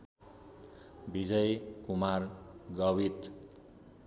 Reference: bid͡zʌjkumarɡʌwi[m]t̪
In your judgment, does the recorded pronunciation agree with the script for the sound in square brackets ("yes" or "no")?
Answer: no